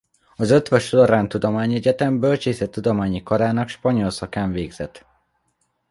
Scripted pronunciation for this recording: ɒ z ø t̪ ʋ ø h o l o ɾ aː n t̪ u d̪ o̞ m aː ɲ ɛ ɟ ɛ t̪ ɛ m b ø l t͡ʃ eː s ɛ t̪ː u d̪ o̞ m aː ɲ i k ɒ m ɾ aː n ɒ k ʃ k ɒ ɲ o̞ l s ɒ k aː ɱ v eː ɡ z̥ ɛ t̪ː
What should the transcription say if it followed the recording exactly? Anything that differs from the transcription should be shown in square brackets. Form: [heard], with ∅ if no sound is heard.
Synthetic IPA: ɒ z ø t̪ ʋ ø [ʃ] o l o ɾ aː n t̪ u d̪ o̞ m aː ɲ ɛ ɟ ɛ t̪ ɛ m b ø l t͡ʃ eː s ɛ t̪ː u d̪ o̞ m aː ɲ i k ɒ [∅] ɾ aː n ɒ k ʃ [p] ɒ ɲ o̞ l s ɒ k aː ɱ v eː ɡ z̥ ɛ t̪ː